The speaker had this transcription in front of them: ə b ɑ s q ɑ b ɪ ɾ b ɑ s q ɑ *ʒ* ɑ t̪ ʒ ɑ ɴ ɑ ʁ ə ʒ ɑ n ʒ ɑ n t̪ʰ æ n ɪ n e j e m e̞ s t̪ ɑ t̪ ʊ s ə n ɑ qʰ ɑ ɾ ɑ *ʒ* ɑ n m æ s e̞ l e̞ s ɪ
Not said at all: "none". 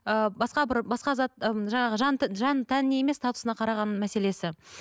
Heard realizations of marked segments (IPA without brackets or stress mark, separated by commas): z, ʁ